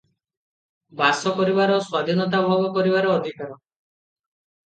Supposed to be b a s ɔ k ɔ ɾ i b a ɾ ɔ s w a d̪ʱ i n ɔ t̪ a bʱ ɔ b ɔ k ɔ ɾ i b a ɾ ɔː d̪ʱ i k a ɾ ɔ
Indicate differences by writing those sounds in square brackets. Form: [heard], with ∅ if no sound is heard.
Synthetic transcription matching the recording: b a s ɔ k ɔ ɾ i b a ɾ ɔ s w a d̪ʱ i n ɔ t̪ a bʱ ɔ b ɔ k ɔ ɾ i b a ɾ ɔː d̪ʱ i k a ɾ ɔ